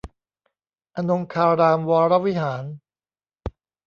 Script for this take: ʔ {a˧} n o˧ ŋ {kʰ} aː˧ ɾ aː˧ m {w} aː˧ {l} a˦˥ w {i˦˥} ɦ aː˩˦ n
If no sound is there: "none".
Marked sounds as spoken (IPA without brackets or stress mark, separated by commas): a˧, kʰ, w, ɾ, i˦˥